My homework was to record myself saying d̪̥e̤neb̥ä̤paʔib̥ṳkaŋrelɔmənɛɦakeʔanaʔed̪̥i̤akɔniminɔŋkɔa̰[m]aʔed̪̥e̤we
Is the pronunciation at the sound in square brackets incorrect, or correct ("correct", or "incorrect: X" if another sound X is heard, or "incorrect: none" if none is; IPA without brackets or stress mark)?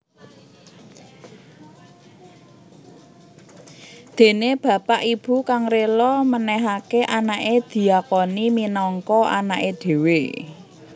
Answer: incorrect: n